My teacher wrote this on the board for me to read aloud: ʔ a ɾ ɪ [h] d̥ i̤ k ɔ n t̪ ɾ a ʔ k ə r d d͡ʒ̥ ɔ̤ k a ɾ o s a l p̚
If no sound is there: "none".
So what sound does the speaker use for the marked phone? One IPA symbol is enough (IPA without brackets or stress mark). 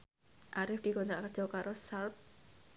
f